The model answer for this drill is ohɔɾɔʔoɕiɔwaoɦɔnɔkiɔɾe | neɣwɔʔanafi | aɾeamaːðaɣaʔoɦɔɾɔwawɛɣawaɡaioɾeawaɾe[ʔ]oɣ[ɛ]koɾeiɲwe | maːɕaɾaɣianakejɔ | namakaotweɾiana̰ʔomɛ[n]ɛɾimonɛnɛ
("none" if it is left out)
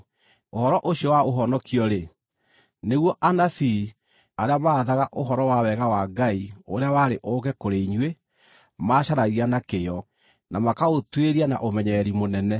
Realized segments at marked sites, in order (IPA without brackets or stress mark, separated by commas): ʔ, ɛ, ɲ